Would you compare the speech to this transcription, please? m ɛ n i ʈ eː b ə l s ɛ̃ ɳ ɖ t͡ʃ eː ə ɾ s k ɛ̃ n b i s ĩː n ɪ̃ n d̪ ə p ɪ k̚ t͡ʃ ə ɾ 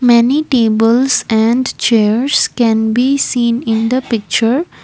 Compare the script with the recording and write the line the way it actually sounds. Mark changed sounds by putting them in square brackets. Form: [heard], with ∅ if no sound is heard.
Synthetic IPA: m ɛ n i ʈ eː b ə l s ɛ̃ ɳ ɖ t͡ʃ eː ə ɾ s k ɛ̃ n b i s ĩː n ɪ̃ n d̪ ə p ɪ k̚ t͡ʃ ə ɾ